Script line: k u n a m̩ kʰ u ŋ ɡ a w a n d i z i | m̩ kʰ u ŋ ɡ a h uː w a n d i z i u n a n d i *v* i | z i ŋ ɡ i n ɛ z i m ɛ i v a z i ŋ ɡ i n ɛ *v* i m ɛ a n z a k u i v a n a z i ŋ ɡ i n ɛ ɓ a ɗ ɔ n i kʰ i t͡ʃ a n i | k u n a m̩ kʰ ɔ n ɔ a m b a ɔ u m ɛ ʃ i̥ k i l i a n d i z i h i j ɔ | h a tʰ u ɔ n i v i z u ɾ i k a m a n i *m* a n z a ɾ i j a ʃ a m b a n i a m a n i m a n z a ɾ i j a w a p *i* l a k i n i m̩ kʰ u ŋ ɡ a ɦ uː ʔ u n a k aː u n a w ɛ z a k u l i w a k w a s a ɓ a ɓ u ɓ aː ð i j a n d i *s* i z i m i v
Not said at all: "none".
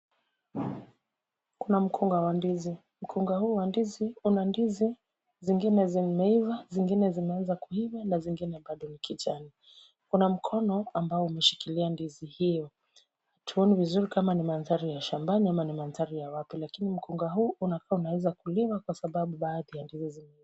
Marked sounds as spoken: z, z, m, i, z

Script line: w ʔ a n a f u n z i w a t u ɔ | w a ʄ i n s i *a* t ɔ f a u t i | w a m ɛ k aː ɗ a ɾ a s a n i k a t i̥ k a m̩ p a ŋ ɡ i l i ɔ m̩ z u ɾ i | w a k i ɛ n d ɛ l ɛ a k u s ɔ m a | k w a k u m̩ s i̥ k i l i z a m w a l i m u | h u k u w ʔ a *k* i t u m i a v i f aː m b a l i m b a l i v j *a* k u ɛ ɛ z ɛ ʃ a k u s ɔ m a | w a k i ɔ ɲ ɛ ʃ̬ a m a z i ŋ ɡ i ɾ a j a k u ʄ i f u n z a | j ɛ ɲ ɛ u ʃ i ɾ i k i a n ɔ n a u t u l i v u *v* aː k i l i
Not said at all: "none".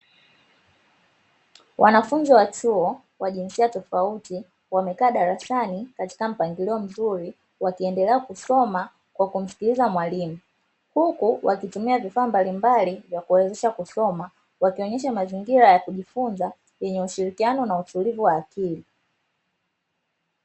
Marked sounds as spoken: a, k, a, w

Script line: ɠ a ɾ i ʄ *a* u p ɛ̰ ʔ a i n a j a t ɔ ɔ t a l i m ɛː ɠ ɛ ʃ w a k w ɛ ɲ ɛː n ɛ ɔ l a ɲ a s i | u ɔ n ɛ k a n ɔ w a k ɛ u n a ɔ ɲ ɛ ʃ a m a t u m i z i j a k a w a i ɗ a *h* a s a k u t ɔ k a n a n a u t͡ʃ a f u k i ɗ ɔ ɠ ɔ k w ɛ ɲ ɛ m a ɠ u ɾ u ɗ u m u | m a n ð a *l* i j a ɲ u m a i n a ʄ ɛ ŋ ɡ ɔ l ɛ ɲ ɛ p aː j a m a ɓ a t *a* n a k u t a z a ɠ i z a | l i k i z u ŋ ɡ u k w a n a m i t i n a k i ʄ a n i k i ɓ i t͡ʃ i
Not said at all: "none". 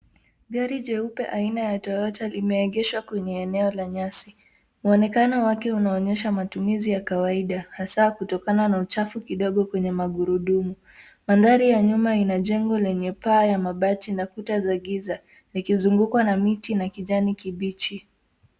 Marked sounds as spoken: ɛ, h, ɾ, i

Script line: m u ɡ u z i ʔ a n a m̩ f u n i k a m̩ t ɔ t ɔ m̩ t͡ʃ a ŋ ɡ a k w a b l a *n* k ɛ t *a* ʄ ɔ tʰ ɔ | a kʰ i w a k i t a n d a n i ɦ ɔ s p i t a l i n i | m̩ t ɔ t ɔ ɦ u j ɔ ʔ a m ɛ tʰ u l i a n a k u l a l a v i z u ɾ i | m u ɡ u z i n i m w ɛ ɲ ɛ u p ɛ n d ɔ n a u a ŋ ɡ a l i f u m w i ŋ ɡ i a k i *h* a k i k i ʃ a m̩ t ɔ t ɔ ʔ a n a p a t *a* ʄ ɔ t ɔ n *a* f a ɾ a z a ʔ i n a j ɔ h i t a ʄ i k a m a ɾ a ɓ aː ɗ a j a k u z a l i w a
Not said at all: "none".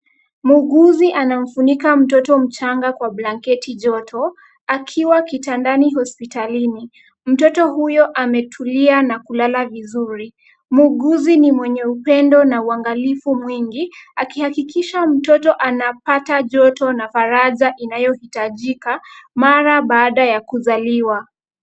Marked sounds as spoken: ŋ, i, h, a, a

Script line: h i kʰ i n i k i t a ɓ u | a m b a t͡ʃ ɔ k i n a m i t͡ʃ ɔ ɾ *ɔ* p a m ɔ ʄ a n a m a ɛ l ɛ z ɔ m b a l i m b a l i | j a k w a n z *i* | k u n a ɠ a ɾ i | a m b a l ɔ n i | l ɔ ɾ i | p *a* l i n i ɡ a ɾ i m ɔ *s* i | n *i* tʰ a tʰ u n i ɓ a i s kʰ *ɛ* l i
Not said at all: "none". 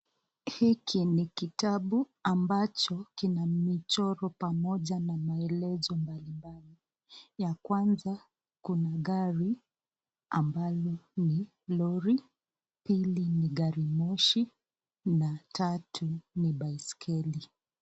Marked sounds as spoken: ɔ, a, i, ʃ, a, ɛ

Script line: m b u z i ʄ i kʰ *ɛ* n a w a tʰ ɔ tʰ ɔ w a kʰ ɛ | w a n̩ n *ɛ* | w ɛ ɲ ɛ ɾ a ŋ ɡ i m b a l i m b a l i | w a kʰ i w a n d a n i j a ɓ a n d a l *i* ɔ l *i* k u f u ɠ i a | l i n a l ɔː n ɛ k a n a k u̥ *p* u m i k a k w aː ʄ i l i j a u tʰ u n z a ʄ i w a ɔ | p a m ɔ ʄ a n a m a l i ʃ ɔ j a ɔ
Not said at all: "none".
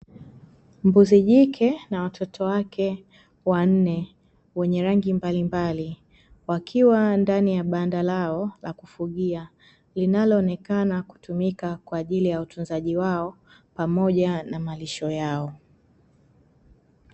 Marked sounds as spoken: ɛ, ɛ, a, a, t

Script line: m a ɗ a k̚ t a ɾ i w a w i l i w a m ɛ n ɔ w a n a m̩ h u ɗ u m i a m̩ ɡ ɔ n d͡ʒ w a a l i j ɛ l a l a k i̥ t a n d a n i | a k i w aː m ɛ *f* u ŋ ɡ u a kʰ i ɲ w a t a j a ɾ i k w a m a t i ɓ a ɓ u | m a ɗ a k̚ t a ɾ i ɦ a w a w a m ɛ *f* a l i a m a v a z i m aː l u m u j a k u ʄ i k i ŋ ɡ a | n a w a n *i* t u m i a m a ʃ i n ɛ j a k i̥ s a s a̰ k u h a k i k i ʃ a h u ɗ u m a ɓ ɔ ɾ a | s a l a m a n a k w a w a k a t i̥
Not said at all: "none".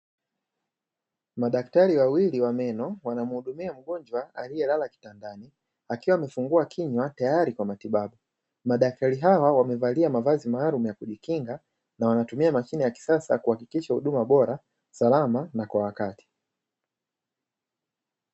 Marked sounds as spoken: f, v, a

